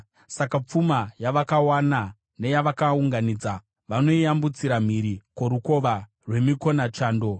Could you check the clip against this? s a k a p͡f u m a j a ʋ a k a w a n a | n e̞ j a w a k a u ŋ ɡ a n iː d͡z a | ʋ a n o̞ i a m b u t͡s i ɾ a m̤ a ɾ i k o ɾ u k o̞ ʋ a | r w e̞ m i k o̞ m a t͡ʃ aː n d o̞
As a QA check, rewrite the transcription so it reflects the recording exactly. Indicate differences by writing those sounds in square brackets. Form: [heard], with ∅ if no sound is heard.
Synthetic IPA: s a k a p͡f u m a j a ʋ a k a w a n a | n e̞ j a [ʋ] a k a u ŋ ɡ a n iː d͡z a | ʋ a n o̞ i a m b u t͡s i ɾ a m̤ [i] ɾ i k o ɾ u k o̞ ʋ a | r w e̞ m i k o̞ [n] a t͡ʃ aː n d o̞